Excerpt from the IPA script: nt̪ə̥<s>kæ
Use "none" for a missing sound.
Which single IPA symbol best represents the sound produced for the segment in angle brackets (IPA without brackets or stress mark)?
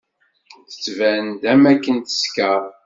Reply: s